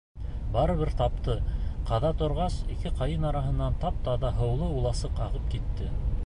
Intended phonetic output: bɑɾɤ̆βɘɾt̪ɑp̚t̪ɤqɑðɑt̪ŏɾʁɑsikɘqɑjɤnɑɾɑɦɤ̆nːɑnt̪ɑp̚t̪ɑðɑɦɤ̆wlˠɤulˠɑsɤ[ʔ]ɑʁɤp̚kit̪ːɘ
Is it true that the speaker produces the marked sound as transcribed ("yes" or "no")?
no